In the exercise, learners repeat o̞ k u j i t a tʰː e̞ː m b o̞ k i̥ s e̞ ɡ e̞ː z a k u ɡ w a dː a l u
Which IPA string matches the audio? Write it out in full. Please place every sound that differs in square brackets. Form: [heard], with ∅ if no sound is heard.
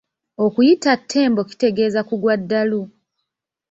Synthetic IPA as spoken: o̞ k u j i t a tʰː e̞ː m b o̞ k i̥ [t] e̞ ɡ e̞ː z a k u ɡ w a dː a l u